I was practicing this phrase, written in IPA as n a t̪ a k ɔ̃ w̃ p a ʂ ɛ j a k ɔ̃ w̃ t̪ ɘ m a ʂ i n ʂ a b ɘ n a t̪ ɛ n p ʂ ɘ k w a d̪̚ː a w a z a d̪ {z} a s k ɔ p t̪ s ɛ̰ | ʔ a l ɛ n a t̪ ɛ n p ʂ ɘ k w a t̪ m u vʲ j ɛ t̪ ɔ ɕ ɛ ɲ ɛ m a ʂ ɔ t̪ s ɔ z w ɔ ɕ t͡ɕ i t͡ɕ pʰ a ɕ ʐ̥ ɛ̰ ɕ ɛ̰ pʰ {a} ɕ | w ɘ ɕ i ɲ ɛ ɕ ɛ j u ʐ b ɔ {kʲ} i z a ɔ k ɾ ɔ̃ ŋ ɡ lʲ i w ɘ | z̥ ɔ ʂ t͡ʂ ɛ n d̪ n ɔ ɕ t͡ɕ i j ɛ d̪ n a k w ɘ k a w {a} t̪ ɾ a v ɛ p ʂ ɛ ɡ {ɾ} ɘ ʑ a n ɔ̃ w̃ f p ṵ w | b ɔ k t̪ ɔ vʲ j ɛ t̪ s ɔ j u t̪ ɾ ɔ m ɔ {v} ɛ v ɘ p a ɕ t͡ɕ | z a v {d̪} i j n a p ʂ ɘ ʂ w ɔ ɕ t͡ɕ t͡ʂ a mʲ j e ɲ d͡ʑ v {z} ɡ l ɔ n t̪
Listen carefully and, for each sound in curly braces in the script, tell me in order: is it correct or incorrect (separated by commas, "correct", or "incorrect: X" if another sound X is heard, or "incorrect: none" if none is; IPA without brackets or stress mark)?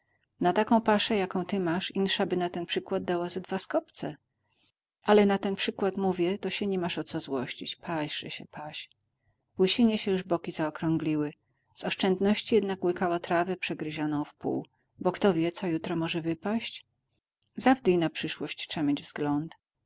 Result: incorrect: v, correct, correct, correct, correct, incorrect: ʐ, correct, correct